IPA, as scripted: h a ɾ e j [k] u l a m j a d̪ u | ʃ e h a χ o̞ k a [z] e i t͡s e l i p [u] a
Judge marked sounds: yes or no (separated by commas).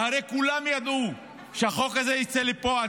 yes, yes, no